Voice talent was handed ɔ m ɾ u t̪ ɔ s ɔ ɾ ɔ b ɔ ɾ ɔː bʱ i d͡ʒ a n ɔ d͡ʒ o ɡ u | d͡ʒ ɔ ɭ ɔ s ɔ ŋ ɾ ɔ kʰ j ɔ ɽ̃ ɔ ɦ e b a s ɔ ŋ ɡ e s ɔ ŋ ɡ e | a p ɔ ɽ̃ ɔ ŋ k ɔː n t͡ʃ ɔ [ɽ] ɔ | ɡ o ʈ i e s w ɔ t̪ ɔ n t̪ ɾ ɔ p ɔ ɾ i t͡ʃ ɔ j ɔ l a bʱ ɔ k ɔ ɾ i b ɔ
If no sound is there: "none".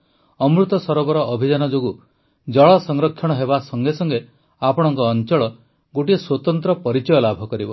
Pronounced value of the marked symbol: ɭ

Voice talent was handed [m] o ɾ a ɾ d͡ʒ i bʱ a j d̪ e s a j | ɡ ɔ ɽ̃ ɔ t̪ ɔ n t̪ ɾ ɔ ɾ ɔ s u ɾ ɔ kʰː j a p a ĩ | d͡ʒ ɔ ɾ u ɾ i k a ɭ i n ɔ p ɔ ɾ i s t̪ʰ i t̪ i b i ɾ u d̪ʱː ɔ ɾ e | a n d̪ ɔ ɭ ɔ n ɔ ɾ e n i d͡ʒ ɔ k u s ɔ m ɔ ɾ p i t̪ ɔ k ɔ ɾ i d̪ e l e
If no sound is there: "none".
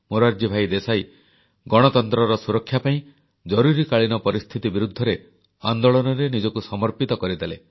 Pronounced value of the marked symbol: m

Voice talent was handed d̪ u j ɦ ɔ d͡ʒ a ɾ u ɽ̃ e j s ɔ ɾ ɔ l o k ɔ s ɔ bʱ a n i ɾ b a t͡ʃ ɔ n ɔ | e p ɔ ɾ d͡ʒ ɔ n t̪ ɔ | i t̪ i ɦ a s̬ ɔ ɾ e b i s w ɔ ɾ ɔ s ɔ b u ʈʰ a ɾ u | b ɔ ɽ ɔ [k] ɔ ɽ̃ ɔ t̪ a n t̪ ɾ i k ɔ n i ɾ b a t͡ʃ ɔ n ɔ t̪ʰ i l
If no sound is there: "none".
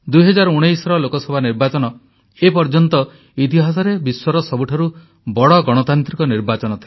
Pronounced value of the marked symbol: ɡ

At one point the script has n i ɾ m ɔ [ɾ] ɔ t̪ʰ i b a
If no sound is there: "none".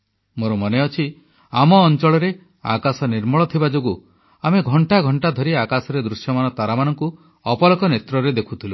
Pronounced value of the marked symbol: ɭ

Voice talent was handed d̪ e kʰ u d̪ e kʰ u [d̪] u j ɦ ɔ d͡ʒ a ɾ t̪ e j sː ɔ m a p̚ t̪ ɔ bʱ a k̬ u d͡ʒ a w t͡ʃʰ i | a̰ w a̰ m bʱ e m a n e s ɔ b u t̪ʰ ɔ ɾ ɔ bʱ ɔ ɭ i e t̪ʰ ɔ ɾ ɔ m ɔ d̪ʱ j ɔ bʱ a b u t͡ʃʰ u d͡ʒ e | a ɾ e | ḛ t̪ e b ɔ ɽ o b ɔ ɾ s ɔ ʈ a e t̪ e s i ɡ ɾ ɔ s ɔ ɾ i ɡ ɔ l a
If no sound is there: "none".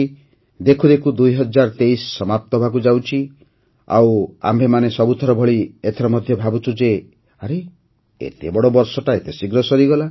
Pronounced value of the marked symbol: d̪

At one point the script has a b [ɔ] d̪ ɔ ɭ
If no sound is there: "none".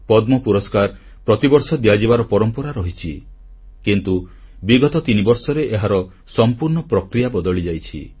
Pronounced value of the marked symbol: ɔ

